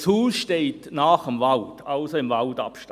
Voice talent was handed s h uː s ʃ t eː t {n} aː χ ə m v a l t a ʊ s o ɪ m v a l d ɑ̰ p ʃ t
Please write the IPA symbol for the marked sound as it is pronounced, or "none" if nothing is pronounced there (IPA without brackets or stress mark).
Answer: n